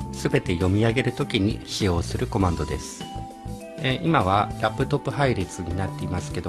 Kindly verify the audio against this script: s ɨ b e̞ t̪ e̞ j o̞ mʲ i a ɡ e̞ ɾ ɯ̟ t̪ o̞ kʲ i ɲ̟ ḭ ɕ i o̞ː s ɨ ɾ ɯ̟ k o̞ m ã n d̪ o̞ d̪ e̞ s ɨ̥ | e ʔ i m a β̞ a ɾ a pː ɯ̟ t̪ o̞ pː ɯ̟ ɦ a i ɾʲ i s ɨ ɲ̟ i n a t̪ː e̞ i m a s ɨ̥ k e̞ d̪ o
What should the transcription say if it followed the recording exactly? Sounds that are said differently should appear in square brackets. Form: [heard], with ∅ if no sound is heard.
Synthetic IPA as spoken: s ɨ b e̞ t̪ e̞ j o̞ mʲ i a ɡ e̞ ɾ ɯ̟ t̪ o̞ kʲ i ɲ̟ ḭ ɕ i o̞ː s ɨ ɾ ɯ̟ k o̞ m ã n d̪ o̞ d̪ e̞ s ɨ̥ | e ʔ i m a β̞ a ɾ a pː ɯ̟ t̪ o̞ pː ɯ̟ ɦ a i ɾʲ i [t͡s] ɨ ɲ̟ i n a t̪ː e̞ i m a s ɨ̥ k e̞ d̪ o